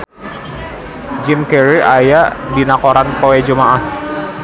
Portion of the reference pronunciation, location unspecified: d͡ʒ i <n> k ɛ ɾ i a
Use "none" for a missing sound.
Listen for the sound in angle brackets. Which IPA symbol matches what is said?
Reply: m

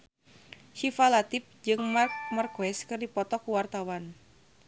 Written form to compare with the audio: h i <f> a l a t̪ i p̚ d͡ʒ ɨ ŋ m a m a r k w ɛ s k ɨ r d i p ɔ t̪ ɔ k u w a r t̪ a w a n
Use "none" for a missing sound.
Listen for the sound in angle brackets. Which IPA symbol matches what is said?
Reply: f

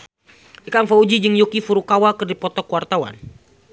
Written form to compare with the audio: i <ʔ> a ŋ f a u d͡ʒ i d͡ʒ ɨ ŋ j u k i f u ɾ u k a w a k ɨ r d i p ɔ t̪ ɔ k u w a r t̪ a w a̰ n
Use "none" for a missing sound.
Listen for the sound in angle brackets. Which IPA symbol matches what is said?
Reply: k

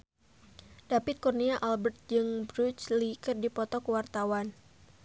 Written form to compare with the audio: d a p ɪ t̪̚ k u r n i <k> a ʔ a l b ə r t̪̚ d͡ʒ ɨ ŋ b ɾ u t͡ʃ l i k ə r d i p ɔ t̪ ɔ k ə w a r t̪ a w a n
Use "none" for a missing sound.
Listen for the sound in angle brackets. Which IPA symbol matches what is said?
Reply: none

